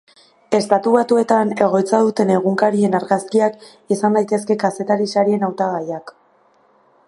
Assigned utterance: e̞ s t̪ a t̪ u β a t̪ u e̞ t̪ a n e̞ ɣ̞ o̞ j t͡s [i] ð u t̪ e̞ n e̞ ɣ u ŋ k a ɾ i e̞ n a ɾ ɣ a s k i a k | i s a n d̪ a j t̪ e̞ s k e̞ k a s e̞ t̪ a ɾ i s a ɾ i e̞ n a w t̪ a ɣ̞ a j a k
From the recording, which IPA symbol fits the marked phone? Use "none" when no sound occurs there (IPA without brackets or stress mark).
a